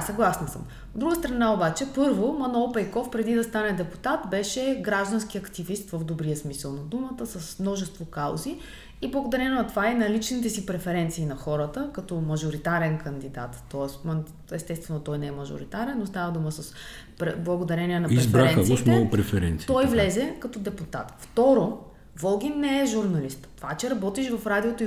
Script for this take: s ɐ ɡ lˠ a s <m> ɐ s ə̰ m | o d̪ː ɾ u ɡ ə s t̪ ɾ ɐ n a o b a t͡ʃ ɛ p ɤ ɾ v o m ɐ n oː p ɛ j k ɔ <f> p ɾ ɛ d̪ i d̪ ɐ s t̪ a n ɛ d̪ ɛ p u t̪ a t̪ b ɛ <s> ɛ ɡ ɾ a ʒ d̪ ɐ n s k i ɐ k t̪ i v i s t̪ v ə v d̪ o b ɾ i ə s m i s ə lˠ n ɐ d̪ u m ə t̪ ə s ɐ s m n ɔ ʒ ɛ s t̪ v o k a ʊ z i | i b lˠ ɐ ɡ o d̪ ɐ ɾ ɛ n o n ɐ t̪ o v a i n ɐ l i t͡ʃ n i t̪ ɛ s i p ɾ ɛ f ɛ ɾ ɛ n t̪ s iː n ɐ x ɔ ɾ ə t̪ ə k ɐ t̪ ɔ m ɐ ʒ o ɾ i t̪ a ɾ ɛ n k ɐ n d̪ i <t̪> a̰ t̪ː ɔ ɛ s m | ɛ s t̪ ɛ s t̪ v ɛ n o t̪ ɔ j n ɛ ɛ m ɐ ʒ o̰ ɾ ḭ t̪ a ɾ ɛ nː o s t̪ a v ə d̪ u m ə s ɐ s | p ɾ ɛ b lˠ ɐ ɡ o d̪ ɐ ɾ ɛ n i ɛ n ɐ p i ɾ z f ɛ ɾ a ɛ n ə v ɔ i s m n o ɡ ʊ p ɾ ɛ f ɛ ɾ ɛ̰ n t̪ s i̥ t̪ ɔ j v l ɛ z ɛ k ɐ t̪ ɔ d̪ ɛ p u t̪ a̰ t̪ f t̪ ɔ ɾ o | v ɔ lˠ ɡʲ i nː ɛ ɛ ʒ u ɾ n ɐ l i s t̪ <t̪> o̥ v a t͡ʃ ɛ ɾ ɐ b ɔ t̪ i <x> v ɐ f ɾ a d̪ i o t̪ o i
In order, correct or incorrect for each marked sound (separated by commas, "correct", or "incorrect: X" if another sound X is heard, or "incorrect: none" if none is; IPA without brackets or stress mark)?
incorrect: n, correct, incorrect: ʃ, incorrect: d̪, correct, incorrect: ʃ